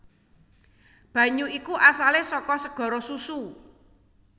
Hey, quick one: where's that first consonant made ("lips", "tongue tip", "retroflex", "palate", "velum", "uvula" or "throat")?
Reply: lips